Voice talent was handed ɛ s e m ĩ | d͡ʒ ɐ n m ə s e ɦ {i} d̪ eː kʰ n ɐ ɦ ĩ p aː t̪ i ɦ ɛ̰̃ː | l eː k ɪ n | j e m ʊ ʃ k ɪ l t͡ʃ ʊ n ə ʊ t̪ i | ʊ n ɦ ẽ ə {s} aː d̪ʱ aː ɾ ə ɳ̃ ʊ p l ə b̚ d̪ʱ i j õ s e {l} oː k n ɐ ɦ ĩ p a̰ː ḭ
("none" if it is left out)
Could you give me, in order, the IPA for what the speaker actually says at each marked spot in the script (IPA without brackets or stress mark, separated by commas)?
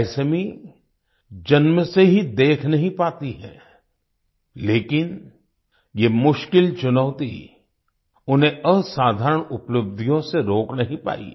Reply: i, s, ɾ